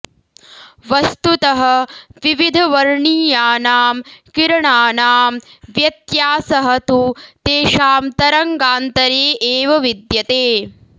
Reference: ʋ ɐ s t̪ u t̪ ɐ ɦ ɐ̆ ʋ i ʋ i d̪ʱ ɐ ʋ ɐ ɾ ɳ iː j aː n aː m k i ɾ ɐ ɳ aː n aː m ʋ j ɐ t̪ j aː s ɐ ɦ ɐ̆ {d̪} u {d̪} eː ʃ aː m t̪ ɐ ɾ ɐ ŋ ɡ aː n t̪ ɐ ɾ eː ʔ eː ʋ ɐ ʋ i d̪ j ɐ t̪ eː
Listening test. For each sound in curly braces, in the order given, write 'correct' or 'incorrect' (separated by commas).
incorrect, incorrect